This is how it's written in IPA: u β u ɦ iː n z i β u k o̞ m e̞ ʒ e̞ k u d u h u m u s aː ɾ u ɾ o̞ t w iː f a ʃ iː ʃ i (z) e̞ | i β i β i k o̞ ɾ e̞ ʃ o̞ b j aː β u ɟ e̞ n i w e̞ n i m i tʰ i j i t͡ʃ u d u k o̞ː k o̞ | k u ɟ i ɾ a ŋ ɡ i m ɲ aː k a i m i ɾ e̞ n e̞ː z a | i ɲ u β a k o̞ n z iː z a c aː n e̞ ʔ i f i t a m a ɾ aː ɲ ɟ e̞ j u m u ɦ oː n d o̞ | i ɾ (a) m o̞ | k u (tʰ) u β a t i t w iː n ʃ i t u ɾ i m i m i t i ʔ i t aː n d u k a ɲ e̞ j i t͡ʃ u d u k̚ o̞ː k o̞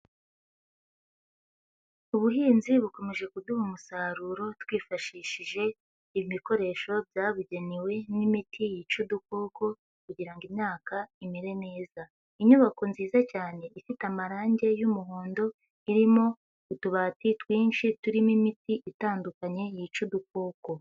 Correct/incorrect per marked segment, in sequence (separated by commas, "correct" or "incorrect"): incorrect, incorrect, incorrect